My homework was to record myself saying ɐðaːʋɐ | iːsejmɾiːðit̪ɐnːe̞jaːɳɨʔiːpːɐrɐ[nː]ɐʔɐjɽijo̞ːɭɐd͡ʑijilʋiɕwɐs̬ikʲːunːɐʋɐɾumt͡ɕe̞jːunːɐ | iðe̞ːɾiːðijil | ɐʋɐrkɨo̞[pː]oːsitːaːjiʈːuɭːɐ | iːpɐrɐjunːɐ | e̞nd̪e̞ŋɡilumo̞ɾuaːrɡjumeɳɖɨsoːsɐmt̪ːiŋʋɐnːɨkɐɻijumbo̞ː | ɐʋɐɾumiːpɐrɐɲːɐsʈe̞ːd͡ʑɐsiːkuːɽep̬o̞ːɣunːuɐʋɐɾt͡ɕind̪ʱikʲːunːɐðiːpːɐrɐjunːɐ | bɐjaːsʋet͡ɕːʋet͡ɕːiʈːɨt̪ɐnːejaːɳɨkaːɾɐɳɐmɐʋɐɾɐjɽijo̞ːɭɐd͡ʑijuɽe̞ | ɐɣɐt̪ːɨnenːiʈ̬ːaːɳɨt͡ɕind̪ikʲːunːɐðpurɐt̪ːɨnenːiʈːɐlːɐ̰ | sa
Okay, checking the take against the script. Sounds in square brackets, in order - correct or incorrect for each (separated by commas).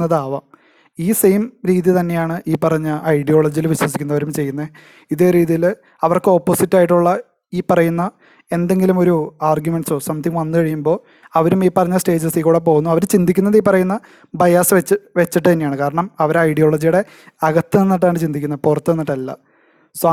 incorrect, correct